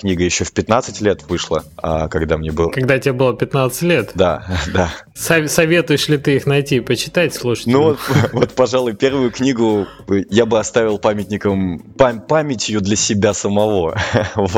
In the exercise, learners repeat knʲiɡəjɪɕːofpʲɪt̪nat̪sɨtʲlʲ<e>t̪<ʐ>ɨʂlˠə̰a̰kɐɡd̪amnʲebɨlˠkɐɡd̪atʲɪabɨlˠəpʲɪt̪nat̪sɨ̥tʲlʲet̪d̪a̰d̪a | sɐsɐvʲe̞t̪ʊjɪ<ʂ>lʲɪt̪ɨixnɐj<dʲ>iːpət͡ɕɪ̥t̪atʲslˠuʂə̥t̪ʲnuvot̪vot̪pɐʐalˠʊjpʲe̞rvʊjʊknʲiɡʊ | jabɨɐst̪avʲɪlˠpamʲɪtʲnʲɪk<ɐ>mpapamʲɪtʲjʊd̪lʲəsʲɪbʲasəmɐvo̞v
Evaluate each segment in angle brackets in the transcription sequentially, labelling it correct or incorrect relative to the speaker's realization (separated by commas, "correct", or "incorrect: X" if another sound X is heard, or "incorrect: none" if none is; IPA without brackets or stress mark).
correct, incorrect: v, correct, incorrect: tʲ, incorrect: ə